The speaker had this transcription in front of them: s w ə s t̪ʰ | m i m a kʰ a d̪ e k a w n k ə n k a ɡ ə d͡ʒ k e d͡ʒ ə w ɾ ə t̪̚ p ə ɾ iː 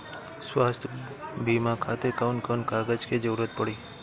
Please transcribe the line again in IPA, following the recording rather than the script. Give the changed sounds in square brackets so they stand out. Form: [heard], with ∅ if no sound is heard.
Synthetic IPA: s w [a] s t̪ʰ | [b] i m a kʰ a [t̪] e k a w n k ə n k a ɡ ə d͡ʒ k e d͡ʒ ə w ɾ ə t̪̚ p ə [ɽ] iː